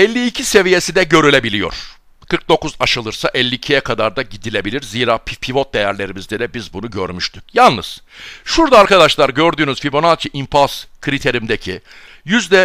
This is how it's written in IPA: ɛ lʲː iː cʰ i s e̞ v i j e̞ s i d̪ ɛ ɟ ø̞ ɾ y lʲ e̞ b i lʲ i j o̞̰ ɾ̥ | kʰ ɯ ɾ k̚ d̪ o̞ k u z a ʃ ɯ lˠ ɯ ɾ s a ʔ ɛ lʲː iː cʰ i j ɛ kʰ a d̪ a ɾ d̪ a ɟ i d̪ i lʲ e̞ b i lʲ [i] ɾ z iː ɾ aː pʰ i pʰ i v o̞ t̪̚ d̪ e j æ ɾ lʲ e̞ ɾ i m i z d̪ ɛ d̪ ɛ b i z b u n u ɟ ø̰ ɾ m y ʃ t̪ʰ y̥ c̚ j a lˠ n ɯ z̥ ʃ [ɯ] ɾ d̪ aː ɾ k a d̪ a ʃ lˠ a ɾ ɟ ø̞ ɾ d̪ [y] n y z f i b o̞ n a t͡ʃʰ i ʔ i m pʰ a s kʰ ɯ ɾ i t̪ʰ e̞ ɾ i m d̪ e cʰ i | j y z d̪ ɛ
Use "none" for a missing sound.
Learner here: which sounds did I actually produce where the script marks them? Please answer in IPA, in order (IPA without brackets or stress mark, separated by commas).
i, u, yː